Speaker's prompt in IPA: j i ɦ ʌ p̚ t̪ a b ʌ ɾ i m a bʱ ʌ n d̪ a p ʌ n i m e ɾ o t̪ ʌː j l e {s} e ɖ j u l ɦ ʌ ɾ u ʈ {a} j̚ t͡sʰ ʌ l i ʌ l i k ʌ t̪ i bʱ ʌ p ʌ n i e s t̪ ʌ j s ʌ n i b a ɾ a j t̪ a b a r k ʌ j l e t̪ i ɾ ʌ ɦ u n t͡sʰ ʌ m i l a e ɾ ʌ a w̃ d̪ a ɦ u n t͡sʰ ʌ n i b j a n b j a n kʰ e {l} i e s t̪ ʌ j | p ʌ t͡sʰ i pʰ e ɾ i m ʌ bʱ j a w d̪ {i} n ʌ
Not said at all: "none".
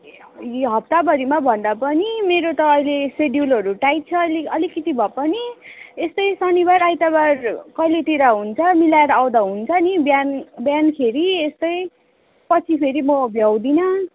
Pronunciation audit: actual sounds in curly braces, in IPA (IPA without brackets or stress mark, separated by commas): s, a, ɾ, i